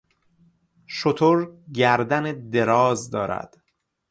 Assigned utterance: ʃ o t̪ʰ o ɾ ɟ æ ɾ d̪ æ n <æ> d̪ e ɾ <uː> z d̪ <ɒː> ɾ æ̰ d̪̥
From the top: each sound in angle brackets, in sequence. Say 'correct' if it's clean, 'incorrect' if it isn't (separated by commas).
incorrect, incorrect, correct